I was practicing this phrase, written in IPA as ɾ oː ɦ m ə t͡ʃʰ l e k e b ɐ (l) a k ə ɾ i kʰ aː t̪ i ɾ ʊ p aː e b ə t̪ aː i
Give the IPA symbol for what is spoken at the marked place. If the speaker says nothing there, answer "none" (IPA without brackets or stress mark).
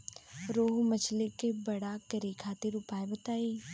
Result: ɽ